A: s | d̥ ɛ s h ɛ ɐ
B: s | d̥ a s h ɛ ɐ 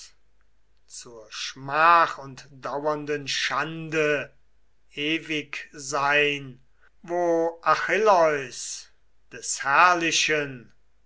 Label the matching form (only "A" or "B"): A